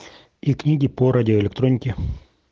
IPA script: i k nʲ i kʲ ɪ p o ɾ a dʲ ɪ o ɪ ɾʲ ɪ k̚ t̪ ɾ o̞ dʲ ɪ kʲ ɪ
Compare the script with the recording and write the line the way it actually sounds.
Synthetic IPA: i k nʲ i ɡʲ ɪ p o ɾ a dʲ ɪ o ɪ lʲ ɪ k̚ t̪ ɾ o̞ nʲ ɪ kʲ ɪ